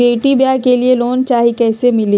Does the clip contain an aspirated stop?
no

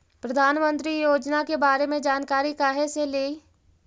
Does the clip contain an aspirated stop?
no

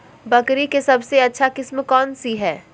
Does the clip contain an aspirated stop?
no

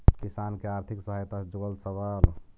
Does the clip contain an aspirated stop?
yes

